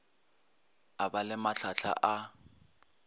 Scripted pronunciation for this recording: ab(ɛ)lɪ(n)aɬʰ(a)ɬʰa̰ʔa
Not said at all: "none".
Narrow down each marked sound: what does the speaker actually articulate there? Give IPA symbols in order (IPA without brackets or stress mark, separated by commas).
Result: a, m, a